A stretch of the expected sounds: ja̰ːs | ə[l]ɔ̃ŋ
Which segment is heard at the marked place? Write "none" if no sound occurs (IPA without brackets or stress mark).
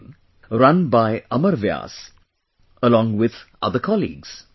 l